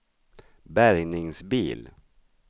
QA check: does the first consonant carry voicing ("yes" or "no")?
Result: yes